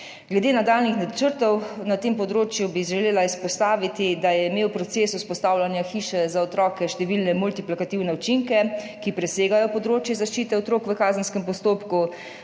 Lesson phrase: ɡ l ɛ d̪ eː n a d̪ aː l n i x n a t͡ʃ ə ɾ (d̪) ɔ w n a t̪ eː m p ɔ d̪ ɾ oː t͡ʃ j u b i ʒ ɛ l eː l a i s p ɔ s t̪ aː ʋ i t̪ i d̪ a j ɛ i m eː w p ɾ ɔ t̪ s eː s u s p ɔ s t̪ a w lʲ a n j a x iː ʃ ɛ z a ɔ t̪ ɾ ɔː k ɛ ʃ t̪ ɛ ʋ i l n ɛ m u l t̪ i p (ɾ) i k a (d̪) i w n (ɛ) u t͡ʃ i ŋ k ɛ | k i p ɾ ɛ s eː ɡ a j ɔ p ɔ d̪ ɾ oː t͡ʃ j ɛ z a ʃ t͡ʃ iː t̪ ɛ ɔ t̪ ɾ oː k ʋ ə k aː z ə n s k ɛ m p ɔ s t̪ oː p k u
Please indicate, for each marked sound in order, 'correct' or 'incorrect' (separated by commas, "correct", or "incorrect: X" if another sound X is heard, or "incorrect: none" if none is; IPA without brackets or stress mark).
incorrect: t̪, incorrect: l, incorrect: t̪, correct